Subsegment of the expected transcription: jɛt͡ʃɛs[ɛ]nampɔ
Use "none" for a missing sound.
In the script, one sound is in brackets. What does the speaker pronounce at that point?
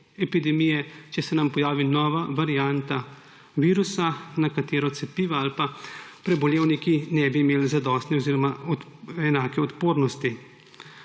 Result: ɛ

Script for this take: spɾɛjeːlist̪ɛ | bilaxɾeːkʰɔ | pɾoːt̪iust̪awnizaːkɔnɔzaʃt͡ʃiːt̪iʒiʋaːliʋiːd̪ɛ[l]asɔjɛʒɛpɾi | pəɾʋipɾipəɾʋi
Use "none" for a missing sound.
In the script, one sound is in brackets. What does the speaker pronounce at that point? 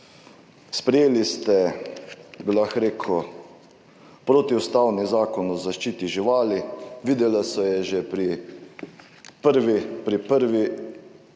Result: l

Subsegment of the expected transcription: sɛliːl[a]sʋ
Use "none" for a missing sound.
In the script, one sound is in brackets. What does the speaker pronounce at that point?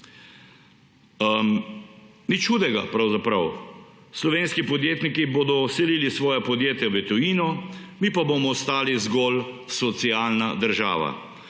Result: i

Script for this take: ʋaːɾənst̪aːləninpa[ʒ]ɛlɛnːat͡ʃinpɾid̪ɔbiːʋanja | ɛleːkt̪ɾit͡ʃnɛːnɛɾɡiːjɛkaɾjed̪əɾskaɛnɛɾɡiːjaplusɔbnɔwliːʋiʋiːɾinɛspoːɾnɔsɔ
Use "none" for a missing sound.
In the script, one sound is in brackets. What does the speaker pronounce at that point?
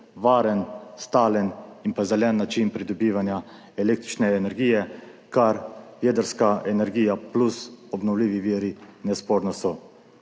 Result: z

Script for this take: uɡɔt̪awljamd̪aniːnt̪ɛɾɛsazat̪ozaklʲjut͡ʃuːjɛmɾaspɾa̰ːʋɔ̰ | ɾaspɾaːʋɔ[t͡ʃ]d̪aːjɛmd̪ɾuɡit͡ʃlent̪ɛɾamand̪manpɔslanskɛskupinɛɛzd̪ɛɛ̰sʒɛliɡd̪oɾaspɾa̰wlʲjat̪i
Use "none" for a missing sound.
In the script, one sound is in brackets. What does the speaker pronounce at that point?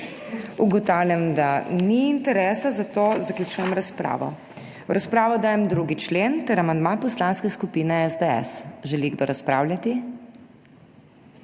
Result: none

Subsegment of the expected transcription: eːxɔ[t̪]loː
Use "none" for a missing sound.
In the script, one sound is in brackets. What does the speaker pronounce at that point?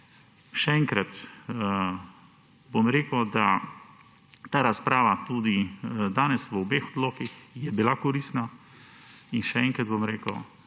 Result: d̪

